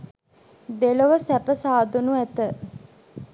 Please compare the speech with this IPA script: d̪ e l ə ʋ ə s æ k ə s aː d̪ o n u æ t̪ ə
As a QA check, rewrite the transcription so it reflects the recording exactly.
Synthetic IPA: d̪ e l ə ʋ ə s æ p ə s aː d̪ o n u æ t̪ ə